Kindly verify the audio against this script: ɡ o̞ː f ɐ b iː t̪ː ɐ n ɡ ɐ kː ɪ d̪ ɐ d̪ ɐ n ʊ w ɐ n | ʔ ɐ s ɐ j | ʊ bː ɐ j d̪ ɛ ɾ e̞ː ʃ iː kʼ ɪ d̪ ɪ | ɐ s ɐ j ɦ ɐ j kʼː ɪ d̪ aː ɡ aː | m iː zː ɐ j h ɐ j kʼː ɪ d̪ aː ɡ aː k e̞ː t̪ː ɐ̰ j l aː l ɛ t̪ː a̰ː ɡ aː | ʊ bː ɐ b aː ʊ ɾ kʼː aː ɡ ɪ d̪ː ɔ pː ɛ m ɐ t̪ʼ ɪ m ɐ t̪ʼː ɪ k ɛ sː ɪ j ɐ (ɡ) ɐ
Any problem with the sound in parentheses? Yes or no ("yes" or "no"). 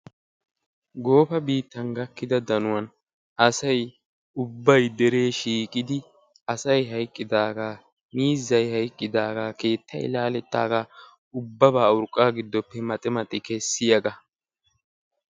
no